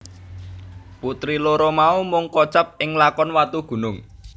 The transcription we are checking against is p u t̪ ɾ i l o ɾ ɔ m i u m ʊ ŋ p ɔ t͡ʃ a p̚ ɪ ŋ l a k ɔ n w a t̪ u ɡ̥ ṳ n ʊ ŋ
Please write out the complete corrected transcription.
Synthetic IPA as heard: p u t̪ ɾ i l o ɾ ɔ m a u m ʊ ŋ k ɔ t͡ʃ a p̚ ɪ ŋ l a k ɔ n w a t̪ u ɡ̥ ṳ n ʊ ŋ